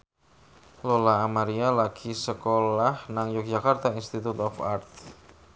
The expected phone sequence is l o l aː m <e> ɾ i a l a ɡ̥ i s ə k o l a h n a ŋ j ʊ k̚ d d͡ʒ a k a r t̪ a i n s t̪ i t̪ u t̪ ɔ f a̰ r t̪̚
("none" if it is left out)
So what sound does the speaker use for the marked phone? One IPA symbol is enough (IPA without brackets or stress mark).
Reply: a